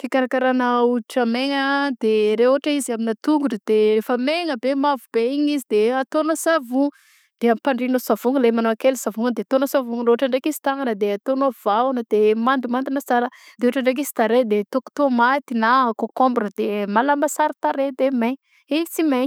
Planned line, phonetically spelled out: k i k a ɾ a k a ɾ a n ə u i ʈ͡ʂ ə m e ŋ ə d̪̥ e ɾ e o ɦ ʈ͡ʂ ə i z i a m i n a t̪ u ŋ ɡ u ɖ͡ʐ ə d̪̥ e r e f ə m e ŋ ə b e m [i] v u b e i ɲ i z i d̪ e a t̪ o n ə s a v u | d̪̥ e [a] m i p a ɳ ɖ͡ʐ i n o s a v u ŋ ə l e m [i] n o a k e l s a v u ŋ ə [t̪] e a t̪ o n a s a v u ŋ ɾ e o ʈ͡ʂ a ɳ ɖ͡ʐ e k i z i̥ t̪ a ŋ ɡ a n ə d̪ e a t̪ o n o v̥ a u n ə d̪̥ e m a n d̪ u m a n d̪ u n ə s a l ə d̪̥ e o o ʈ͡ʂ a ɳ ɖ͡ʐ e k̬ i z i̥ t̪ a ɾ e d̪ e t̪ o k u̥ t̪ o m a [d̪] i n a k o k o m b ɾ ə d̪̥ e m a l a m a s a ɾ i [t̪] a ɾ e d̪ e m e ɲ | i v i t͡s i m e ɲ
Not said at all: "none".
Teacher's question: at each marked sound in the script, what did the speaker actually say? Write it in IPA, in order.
a, a, a, d̪, t̪, t̪

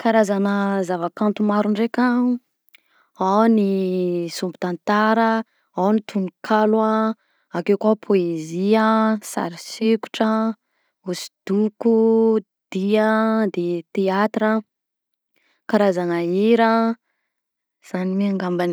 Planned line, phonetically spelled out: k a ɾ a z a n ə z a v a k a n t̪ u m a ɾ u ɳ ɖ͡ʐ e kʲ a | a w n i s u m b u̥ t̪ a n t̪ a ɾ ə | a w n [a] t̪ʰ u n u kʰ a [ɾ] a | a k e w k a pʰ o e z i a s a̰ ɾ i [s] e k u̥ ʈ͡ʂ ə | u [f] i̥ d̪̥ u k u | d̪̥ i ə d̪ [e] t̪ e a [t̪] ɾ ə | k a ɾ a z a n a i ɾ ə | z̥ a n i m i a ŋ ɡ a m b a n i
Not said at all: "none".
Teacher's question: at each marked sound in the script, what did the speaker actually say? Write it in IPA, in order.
i, l, s, s, e, t̪

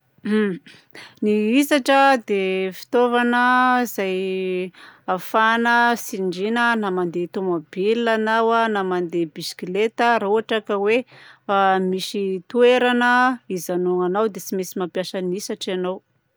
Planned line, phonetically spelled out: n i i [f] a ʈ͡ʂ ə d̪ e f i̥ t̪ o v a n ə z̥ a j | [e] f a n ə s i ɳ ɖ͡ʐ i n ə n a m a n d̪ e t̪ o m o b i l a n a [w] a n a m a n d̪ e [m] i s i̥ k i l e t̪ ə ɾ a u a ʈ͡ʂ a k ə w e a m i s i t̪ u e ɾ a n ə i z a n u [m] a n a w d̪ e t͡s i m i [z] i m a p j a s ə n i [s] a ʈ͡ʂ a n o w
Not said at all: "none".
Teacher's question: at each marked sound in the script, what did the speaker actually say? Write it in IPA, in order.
s, a, w, b, ŋ, s, s

